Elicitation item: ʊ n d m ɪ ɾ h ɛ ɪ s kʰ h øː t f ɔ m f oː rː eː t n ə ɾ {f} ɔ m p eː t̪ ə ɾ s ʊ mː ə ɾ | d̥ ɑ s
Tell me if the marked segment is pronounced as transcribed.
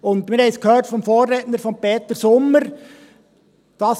yes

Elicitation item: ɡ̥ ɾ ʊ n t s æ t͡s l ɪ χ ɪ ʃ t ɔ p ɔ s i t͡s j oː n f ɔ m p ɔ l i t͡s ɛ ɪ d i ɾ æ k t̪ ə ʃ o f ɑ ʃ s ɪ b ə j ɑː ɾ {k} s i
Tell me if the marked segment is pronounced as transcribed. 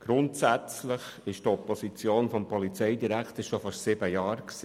yes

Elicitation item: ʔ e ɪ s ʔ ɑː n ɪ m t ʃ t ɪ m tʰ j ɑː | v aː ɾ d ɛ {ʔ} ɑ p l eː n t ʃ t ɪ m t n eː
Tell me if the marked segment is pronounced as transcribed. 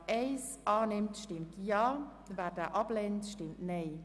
yes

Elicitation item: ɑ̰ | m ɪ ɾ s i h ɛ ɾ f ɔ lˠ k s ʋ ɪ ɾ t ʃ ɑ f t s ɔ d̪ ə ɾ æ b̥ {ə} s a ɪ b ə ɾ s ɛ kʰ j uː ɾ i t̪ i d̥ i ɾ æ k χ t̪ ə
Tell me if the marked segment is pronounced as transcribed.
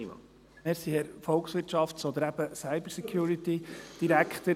yes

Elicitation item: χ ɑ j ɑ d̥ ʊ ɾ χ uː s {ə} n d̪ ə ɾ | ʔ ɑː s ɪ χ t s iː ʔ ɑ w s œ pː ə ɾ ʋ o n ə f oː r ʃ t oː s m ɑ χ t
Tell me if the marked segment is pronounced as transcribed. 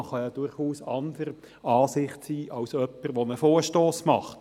no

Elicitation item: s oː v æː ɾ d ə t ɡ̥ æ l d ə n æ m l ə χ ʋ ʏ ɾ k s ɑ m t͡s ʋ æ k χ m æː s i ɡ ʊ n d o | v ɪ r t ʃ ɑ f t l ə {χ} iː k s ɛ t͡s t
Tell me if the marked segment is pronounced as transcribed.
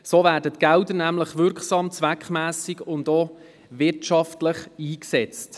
yes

